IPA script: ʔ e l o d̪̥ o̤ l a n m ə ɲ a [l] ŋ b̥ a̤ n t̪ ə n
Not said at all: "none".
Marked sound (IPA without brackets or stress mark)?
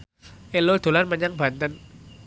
none